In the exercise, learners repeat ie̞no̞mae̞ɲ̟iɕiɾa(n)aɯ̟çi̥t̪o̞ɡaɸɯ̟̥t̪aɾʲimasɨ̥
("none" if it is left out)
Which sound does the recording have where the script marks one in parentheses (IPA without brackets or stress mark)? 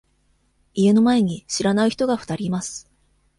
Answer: n